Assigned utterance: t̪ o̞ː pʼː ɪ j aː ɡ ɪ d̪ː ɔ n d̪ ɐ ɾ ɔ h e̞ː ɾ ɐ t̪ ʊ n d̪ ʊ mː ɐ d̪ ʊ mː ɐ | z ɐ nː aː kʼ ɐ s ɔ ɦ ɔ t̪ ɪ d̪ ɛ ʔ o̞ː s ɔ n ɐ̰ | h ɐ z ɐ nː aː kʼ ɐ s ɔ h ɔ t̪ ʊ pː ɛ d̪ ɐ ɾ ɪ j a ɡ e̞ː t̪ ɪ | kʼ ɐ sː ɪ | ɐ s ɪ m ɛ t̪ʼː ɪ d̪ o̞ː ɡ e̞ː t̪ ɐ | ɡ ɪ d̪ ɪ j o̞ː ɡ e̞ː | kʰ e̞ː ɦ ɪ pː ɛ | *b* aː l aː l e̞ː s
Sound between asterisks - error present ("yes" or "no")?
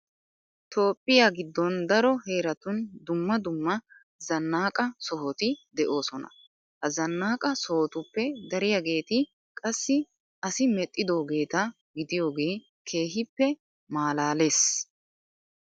yes